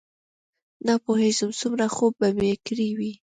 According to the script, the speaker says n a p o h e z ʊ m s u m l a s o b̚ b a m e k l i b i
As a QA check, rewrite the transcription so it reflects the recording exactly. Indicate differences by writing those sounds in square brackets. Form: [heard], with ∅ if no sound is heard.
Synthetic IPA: n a p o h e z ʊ m s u m [ɾ] a [x] o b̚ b a m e k [ɾ] i [w] i